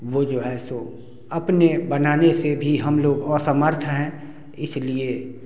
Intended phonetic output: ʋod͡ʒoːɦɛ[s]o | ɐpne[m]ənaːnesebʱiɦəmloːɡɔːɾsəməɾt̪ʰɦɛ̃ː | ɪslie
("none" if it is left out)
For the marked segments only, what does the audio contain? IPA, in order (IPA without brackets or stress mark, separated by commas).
s, b